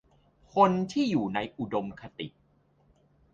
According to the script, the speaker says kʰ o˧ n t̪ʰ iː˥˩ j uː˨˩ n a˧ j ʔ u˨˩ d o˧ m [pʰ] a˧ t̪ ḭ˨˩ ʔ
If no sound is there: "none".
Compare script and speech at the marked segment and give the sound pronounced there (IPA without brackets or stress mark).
kʰ